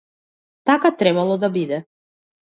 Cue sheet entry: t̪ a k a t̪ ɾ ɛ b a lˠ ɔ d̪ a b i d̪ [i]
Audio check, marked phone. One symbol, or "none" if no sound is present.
ɛ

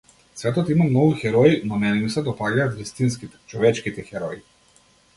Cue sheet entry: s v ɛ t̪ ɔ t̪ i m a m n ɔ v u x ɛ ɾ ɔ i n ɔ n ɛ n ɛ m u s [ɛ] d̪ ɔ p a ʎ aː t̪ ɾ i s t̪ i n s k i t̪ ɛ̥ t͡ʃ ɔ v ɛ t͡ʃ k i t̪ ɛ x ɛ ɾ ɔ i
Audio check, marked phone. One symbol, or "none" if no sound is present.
ɛ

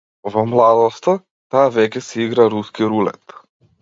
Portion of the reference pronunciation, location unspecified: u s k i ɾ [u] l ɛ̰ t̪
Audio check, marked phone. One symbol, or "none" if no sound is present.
u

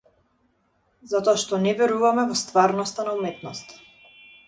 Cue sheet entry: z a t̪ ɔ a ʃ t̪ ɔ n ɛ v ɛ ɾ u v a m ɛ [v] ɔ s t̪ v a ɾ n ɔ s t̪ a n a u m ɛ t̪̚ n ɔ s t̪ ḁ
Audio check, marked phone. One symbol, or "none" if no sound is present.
v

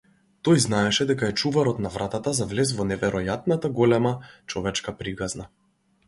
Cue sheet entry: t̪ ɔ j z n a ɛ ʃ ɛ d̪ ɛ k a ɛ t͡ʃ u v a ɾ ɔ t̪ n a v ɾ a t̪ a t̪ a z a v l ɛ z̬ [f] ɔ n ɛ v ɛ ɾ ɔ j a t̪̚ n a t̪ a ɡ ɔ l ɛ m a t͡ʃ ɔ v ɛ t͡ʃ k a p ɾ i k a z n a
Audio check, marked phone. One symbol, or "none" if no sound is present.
v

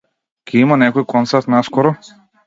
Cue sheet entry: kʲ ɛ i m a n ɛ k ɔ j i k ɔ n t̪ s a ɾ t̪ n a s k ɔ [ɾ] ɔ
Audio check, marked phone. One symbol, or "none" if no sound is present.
ɾ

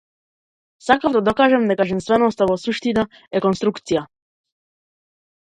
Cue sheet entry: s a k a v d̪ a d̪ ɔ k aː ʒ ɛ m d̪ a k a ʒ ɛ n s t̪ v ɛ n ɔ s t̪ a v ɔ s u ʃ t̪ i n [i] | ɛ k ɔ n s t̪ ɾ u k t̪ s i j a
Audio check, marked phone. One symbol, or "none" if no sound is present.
a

